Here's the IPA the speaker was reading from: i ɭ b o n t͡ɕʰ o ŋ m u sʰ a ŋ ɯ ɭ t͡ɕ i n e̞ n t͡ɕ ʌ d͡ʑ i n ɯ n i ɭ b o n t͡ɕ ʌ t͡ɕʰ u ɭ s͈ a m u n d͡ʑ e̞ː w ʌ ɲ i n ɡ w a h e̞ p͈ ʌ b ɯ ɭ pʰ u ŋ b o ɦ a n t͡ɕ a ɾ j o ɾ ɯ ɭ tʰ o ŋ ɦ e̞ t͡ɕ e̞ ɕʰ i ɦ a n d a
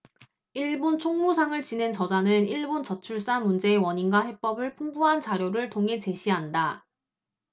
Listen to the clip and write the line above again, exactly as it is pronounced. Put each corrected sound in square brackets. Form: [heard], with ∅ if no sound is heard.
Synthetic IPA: i ɭ b o n t͡ɕʰ o ŋ m u sʰ a ŋ ɯ ɭ t͡ɕ i n e̞ n t͡ɕ ʌ d͡ʑ [a] n ɯ n i ɭ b o n t͡ɕ ʌ t͡ɕʰ u ɭ s͈ a m u n d͡ʑ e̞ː w ʌ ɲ i n ɡ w a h e̞ p͈ ʌ b ɯ ɭ pʰ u ŋ b [u] ɦ a n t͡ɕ a ɾ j o ɾ ɯ ɭ tʰ o ŋ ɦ e̞ t͡ɕ e̞ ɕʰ i ɦ a n d a